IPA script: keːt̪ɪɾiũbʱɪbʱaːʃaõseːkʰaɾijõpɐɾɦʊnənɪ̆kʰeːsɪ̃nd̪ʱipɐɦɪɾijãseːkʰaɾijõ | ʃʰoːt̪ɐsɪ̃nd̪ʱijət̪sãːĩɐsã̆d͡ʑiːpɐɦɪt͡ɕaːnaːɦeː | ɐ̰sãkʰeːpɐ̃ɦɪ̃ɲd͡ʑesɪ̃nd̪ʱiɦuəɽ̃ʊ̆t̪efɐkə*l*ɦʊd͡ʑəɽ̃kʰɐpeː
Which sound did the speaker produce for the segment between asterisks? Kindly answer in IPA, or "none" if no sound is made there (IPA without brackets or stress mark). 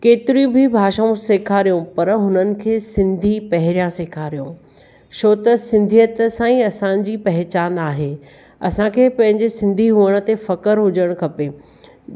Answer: ɾ